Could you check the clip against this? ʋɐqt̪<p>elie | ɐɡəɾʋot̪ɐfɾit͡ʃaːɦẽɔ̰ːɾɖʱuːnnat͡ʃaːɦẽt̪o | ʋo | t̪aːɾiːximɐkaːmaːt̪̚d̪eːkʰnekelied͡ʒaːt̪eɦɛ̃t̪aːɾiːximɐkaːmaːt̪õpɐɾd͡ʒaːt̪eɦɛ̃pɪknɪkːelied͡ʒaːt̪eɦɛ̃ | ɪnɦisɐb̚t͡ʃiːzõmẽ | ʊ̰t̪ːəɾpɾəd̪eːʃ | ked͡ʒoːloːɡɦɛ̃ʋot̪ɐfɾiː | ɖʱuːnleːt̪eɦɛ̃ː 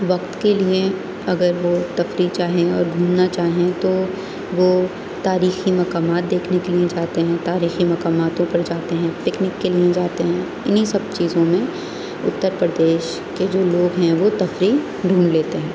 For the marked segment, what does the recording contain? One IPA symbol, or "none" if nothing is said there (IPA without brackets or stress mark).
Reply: k